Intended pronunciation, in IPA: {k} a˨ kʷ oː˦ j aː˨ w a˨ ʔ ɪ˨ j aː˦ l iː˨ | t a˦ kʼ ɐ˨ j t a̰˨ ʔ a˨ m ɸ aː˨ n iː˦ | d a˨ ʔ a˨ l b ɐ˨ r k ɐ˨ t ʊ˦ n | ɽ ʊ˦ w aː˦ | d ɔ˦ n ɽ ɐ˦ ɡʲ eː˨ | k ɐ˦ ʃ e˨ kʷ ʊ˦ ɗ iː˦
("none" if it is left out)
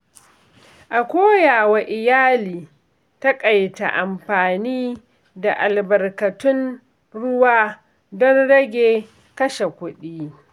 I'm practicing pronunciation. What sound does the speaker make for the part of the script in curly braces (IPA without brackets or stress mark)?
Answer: ʔ